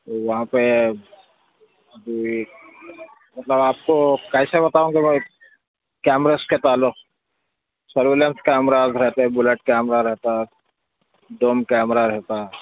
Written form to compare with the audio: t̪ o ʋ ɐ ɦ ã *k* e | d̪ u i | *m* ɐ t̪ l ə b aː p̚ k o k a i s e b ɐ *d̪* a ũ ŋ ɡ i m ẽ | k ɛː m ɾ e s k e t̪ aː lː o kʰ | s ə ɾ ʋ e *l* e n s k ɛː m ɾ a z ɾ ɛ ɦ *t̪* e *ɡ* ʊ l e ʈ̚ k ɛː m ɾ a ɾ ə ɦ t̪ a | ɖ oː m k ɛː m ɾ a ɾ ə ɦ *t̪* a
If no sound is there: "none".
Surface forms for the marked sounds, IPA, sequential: p, m, t̪, l, t̪, b, t̪

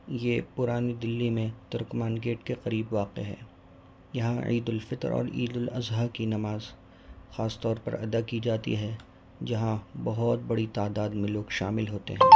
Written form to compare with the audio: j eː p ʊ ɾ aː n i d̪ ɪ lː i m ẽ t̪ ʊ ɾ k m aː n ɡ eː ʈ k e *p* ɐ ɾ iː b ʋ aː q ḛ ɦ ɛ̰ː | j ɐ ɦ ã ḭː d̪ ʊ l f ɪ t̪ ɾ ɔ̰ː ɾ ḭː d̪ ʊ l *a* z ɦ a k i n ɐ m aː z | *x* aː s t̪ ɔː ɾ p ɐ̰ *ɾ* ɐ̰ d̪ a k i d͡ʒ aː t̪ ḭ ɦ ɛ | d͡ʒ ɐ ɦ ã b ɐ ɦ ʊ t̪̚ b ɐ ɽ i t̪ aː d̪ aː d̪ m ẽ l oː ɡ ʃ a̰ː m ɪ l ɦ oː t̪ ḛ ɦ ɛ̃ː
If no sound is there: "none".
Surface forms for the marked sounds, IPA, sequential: q, ɐ, x, ɾ

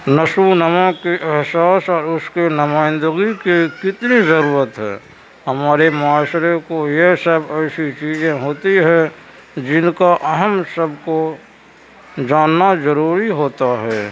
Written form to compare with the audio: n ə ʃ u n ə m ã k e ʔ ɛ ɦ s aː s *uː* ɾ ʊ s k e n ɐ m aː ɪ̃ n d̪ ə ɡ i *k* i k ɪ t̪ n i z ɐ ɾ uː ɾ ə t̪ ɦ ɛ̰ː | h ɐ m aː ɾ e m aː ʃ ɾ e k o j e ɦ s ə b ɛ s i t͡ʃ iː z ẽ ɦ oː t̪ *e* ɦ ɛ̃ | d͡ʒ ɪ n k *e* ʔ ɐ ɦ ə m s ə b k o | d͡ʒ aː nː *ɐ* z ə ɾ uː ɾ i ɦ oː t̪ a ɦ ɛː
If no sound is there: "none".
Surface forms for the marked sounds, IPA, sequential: ɔː, k, i, a, a

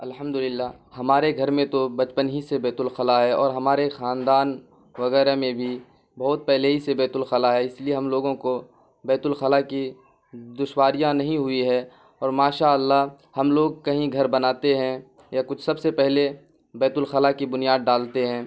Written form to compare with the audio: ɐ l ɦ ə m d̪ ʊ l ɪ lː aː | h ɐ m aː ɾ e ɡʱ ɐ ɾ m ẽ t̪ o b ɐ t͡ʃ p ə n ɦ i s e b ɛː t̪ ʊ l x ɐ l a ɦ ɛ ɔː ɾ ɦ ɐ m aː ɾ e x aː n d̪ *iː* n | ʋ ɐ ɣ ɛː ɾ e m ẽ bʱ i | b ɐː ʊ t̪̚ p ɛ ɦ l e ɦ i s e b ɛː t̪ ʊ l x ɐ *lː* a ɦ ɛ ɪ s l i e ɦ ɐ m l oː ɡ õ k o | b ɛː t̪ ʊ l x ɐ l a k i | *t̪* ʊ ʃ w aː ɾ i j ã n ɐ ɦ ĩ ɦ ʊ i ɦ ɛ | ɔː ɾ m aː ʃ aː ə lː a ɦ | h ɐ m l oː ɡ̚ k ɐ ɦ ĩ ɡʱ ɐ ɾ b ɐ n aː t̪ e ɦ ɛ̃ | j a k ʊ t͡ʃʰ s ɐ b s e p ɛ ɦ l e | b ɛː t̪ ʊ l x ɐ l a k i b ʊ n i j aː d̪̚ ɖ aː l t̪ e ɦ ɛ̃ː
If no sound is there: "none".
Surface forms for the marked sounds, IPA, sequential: aː, l, d̪

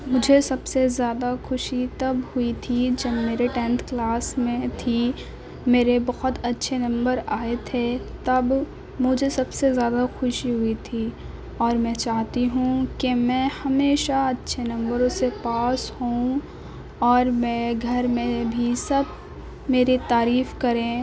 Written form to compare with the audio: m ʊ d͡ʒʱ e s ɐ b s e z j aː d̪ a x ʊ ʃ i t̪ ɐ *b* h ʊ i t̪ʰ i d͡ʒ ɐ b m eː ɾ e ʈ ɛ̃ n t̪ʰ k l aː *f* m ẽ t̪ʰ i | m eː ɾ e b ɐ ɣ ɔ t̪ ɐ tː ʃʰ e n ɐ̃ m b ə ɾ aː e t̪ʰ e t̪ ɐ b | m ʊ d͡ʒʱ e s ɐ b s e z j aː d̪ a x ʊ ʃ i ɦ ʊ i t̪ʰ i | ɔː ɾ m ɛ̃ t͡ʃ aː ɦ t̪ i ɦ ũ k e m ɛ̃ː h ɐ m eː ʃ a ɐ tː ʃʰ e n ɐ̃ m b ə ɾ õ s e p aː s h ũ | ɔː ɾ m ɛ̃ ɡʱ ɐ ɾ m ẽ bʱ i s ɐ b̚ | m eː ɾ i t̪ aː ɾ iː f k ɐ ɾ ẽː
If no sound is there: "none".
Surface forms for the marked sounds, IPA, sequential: b, s

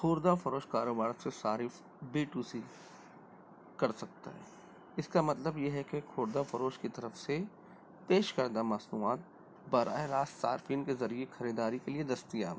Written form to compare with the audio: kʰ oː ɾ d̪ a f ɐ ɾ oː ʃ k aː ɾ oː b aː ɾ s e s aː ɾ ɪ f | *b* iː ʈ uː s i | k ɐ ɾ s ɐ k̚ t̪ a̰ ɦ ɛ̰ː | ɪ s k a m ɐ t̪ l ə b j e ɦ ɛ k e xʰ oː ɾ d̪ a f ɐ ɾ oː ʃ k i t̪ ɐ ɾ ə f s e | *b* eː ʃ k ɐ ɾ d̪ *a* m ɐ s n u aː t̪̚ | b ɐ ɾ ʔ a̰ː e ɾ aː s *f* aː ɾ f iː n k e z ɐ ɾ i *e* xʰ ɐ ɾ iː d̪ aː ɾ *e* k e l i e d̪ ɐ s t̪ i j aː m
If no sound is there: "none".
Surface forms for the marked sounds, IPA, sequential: b, p, a, s, e, i

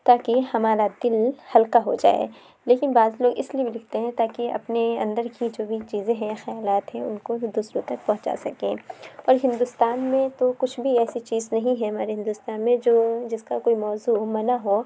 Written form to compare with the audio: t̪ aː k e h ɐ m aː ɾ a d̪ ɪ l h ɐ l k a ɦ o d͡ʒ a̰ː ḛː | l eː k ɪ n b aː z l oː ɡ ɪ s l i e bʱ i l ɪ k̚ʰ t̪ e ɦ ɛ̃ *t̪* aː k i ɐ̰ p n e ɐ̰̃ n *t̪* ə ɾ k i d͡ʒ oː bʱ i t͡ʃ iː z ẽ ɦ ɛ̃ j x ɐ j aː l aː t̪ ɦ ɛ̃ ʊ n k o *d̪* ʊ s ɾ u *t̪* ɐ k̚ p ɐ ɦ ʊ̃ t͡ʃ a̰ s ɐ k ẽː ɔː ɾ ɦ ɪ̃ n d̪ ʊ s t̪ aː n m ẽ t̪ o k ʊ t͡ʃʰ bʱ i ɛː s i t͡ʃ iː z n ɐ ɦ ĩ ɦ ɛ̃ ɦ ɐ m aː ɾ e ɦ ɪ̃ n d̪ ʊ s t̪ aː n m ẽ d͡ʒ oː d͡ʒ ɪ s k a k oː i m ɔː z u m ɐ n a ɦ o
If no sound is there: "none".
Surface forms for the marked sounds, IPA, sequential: t̪, d̪, d̪, t̪

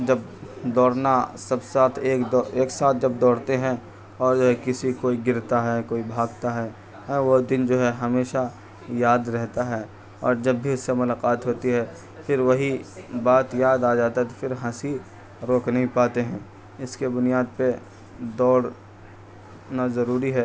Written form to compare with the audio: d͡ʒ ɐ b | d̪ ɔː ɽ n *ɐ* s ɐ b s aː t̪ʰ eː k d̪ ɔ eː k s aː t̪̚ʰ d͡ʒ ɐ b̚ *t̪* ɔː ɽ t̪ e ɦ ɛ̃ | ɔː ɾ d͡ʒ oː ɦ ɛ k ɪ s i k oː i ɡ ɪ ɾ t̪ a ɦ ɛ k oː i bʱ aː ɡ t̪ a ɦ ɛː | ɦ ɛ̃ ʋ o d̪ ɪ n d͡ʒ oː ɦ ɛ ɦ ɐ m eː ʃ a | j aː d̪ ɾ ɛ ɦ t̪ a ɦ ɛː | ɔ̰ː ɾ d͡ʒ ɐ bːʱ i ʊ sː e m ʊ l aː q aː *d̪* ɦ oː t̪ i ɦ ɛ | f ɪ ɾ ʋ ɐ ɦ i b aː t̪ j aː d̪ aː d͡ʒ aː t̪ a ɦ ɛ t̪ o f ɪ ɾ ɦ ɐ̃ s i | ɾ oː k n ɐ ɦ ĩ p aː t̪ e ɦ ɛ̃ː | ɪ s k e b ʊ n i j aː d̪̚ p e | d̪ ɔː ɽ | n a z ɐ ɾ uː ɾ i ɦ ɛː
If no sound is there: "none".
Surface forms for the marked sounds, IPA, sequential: a, d̪, t̪

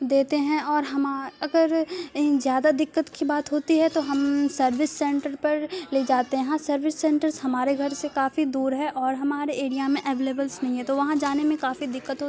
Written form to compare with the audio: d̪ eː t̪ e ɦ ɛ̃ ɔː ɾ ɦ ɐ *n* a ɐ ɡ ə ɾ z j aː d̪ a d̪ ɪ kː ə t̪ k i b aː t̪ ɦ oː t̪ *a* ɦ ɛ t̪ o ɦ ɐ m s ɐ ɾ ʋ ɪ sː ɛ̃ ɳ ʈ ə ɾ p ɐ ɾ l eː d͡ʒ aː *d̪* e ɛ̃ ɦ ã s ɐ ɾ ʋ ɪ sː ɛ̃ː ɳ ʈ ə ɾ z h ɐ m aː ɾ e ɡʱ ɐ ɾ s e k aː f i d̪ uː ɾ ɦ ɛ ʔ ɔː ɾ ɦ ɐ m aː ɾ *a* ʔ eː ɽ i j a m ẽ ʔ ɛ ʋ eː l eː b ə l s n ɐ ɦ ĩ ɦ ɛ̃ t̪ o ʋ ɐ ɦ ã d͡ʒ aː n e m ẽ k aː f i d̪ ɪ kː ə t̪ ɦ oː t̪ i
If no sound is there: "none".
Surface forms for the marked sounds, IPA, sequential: m, i, t̪, e

